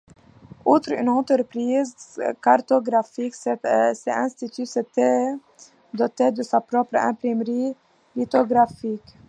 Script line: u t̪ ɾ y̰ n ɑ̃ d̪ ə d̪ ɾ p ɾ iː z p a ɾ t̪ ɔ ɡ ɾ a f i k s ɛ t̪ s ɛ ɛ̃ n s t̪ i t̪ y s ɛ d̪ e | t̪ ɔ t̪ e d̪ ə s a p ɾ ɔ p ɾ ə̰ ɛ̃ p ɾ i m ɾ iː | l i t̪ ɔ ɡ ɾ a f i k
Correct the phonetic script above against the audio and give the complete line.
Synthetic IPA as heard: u t̪ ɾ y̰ n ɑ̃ t̪ ə ɾ p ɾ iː z k a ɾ t̪ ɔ ɡ ɾ a f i k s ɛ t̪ s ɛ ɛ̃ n s t̪ i t̪ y s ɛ t̪ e | d̪ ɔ t̪ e d̪ ə s a p ɾ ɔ p ɾ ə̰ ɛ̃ p ɾ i m ɾ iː | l i t̪ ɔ ɡ ɾ a f i k